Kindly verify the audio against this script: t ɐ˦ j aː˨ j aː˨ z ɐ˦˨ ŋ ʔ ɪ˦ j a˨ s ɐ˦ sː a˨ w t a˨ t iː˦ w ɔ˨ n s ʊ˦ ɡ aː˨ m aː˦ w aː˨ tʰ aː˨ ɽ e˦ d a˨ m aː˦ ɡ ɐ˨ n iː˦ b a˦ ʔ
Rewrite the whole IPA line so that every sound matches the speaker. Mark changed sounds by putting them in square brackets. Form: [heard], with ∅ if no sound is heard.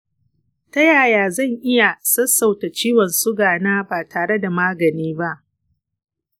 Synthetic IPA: t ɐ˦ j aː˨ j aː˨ z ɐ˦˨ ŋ ʔ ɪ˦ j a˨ s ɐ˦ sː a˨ w t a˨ [t͡ʃ] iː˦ w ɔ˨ n s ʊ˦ ɡ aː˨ [n] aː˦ [b] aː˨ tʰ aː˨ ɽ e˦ d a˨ m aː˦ ɡ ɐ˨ n iː˦ b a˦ ʔ